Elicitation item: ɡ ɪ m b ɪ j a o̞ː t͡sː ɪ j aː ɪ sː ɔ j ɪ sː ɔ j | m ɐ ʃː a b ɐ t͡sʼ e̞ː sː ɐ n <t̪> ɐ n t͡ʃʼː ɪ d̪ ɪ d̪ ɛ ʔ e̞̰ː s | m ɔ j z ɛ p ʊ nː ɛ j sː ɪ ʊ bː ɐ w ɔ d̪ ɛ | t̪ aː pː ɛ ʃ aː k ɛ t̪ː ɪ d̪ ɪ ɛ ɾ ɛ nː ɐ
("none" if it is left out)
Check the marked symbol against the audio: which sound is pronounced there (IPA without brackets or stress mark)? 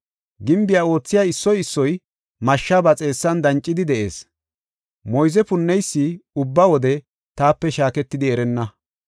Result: d̪